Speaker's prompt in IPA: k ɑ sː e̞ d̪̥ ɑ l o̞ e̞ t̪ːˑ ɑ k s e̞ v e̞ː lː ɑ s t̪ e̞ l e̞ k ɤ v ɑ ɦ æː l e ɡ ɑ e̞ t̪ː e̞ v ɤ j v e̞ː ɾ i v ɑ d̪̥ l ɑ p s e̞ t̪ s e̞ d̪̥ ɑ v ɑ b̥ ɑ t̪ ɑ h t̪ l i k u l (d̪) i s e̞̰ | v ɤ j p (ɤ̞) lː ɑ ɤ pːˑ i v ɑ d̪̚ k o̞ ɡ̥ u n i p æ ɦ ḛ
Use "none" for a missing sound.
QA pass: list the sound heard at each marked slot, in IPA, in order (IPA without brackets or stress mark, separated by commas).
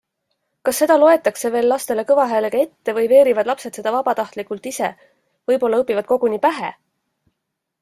t̪, o̞